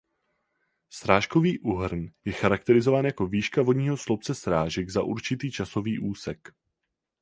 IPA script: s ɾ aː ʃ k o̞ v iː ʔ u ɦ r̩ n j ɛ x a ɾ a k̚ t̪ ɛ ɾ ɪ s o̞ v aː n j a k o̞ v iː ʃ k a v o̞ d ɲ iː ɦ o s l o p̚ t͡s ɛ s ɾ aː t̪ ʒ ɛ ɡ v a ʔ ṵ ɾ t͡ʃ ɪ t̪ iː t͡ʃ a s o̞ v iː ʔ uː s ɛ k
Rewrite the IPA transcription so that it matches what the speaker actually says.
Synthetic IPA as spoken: s ɾ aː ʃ k o̞ v iː ʔ u ɦ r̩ n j ɛ x a ɾ a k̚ t̪ ɛ ɾ ɪ z o̞ v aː n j a k o̞ v iː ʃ k a v o̞ d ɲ iː ɦ o s l o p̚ t͡s ɛ s ɾ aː ʒ ɛ ɡ z a ʔ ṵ ɾ t͡ʃ ɪ t̪ iː t͡ʃ a s o̞ v iː ʔ uː s ɛ k